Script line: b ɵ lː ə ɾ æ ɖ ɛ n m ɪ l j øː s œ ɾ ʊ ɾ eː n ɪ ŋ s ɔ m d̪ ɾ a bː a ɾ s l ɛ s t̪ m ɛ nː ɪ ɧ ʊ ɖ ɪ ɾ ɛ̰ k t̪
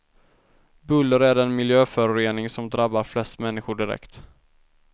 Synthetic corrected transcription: b ɵ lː ə ɾ æ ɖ ɛ n m ɪ l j øː f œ ɾ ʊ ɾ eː n ɪ ŋ s ɔ m d̪ ɾ a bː a ɾ f l ɛ s t̪ m ɛ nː ɪ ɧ ʊ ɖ ɪ ɾ ɛ̰ k t̪